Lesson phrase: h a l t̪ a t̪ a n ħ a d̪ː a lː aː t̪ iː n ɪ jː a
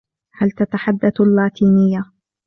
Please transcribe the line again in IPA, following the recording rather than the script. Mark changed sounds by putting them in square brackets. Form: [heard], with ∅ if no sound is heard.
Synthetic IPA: h a l t̪ a t̪ a [∅] ħ a d̪ː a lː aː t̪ iː n ɪ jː a